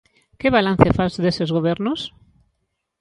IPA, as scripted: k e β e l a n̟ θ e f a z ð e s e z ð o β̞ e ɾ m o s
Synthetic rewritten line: k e β a l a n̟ θ e f a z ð e s e z ɣ o β̞ e ɾ n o s

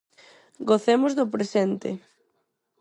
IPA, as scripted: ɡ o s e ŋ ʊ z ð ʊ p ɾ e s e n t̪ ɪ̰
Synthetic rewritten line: ɡ o θ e m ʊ z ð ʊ p ɾ e s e n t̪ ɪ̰

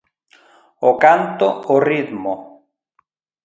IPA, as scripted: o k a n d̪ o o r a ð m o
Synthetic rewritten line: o k a n t̪ o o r i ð m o

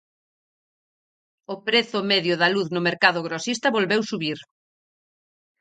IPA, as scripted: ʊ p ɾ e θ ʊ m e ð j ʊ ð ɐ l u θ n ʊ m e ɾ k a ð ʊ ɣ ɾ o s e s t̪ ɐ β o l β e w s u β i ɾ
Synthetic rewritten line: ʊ p ɾ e θ ʊ m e ð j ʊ ð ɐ l u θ n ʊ m e ɾ k a ð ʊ ɣ ɾ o s i s t̪ ɐ β o l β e w s u β i ɾ

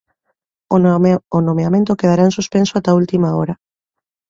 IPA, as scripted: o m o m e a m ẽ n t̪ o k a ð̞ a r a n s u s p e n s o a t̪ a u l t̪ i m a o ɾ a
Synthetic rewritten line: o n o m e a m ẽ n t̪ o k e ð̞ a ɾ a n s u s p e n s o a t̪ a u l t̪ i m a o ɾ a

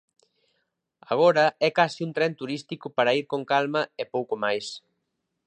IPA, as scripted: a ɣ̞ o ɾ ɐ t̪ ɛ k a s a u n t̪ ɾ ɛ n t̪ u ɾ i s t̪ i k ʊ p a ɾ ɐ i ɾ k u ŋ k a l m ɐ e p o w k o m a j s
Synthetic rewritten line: a ɣ̞ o ɾ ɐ ɛ k a s i u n t̪ ɾ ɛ n t̪ u ɾ i s t̪ i k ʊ p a ɾ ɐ i ɾ k o ŋ k a l m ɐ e p o w k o m a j s

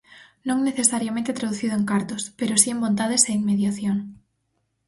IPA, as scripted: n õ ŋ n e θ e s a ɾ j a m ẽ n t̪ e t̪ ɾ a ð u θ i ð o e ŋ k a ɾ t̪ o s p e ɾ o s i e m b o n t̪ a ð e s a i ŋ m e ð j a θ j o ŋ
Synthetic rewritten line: n õ ŋ n e θ e s a ɾ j a m ẽ n t̪ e t̪ ɾ a ð u θ i ð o e ŋ k a ɾ t̪ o s p e ɾ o s i e m b o n t̪ a ð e s e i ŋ m e ð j a θ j o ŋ

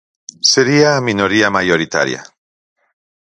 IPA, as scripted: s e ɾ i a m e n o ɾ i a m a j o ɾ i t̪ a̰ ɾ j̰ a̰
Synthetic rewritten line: s e ɾ i a m i n o ɾ i a m a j o ɾ i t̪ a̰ ɾ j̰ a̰

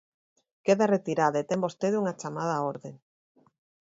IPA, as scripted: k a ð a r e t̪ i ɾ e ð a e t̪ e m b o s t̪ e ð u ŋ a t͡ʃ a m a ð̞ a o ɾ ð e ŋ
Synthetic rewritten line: k e ð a r e t̪ i ɾ a ð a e t̪ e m b o s t̪ e ð u ŋ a t͡ʃ a m a ð̞ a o ɾ ð e ŋ

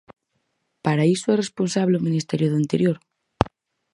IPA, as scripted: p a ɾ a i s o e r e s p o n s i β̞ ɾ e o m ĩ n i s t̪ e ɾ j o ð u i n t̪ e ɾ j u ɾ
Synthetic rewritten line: p a ɾ a i s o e r e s p o n s a β̞ l e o m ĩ n i s t̪ e ɾ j o ð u i n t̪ e ɾ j o ɾ

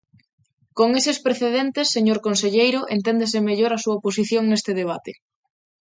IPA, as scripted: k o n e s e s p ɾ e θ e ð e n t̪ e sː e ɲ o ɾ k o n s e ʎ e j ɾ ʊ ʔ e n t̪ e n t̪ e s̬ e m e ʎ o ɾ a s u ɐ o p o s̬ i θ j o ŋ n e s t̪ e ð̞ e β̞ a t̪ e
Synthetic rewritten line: k o ŋ e s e s p ɾ e θ e ð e n t̪ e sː e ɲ o ɾ k o n s e ʎ e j ɾ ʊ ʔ e n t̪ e n d̪ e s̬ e m e ʎ o ɾ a s u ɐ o p o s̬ i θ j o ŋ n e s t̪ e ð̞ e β̞ a t̪ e

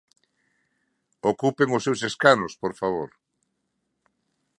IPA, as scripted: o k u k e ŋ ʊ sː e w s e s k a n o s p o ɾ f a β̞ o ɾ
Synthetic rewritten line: o k u p e ŋ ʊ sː e w s e s k a n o s p o ɾ f a β̞ o ɾ

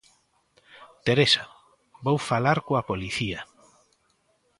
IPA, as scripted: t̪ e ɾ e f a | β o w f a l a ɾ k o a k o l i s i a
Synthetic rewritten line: t̪ e ɾ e s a | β o w f a l a ɾ k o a p o l i θ i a

